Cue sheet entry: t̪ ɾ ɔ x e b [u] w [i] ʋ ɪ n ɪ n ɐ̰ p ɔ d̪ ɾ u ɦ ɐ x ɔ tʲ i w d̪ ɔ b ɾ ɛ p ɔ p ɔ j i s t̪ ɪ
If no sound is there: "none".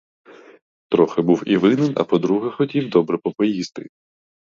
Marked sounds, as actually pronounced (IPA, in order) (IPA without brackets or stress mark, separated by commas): u, i